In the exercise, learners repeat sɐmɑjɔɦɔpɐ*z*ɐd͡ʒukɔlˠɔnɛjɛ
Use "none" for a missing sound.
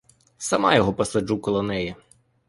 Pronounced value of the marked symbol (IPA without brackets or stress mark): s